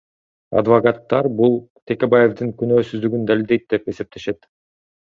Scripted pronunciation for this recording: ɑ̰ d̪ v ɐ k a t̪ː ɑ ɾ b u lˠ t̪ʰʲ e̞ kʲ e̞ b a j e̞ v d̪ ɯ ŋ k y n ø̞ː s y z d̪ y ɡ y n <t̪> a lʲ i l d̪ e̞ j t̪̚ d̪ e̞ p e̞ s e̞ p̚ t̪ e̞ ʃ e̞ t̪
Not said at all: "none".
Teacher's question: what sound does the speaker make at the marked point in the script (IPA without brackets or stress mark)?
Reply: d̪